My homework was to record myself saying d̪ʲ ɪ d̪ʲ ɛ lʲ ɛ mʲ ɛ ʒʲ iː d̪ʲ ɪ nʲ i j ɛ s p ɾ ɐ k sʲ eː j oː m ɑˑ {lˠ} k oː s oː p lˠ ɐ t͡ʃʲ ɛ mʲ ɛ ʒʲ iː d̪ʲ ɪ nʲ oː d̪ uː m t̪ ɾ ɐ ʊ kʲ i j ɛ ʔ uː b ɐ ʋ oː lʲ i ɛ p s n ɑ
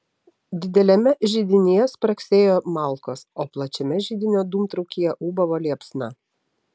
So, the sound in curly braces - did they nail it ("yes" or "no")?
yes